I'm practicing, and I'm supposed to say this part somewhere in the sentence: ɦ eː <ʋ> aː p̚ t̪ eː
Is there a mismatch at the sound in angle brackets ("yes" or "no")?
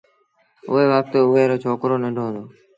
no